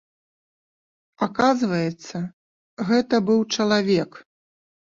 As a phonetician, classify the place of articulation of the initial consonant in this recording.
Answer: velar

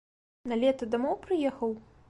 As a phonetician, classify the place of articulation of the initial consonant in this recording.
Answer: alveolar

